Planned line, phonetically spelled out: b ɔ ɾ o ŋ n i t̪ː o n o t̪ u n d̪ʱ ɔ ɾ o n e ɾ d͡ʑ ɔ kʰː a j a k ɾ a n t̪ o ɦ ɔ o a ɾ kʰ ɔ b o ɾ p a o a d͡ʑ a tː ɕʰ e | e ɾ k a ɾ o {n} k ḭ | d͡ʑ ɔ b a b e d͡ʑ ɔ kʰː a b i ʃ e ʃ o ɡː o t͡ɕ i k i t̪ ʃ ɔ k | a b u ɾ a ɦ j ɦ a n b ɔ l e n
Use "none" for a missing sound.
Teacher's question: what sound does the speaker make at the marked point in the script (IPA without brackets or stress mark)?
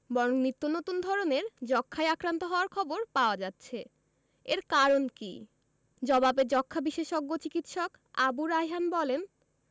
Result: n